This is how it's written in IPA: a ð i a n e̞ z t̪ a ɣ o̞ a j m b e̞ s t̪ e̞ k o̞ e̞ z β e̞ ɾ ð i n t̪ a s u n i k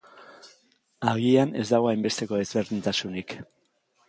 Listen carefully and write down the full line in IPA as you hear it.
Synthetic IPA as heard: a ɣ i a n e̞ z d̪ a ɣ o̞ a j m b e̞ s t̪ e̞ k o̞ e̞ z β e̞ ɾ ð i n t̪ a s u n i k